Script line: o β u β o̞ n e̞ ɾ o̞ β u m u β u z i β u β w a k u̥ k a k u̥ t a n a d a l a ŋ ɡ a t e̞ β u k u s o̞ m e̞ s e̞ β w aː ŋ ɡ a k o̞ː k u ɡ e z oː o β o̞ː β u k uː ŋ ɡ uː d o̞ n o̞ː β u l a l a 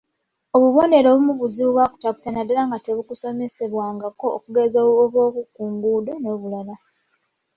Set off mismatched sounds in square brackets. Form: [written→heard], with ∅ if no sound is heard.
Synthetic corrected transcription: o β u β o̞ n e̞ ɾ o̞ β u m u β u z i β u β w a k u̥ [k→t] a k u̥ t a n a d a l a ŋ ɡ a t e̞ β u k u s o̞ m e̞ s e̞ β w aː ŋ ɡ a k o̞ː k u ɡ e z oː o β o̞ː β u k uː ŋ ɡ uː d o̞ n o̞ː β u l a l a